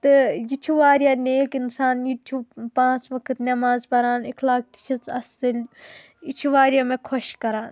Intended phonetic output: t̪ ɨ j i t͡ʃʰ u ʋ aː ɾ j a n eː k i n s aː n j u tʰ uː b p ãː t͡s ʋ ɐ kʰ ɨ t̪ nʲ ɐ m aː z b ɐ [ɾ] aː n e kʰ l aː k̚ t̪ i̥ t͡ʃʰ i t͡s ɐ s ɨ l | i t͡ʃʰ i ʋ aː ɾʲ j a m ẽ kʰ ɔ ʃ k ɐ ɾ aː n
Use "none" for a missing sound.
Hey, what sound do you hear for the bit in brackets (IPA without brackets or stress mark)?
ɾ